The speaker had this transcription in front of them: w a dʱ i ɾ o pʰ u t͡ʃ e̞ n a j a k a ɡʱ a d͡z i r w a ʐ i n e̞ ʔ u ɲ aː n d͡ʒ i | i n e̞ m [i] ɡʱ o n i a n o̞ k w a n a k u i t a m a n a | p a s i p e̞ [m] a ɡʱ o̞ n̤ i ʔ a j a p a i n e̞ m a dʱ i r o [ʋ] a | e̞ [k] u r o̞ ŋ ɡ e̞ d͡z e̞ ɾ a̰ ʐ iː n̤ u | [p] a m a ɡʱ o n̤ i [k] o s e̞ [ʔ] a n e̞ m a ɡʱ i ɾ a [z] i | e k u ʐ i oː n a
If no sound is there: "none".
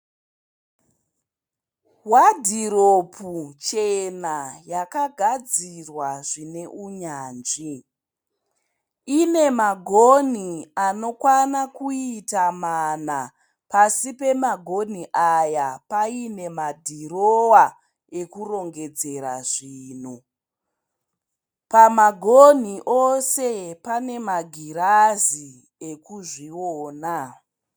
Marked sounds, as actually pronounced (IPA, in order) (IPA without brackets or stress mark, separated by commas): a, m, w, k, p, ʔ, p, z